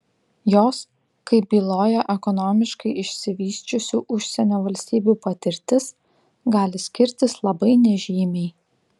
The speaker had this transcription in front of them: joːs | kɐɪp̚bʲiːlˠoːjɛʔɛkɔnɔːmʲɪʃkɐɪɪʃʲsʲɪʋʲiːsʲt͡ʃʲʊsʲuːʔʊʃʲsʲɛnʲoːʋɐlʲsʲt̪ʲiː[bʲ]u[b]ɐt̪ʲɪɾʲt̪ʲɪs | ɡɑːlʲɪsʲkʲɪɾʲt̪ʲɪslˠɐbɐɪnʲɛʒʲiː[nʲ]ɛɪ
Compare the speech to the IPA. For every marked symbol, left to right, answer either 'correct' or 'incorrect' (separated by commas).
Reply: correct, incorrect, incorrect